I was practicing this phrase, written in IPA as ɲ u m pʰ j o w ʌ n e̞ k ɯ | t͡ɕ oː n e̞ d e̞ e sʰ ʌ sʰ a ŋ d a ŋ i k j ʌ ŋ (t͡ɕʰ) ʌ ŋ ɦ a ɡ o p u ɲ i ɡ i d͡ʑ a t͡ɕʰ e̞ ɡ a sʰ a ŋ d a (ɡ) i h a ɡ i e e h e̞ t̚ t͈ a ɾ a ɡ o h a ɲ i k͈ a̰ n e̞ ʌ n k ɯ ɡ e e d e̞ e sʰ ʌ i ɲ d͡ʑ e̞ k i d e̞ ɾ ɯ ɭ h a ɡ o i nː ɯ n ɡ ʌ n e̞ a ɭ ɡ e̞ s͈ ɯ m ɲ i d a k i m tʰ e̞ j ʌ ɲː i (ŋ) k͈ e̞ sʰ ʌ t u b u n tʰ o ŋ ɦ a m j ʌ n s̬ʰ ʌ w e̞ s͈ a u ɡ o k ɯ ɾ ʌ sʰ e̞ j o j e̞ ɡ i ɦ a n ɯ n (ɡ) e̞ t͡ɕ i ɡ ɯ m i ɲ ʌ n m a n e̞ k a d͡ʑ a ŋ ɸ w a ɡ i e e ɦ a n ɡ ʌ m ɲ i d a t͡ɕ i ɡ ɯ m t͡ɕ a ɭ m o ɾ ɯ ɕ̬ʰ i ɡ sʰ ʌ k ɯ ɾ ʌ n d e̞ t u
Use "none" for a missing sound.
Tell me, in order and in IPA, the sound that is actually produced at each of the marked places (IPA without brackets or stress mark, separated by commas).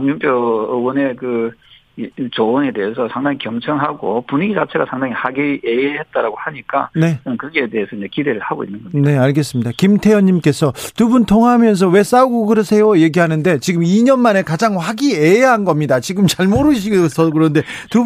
t͡ɕʰ, ŋ, m, d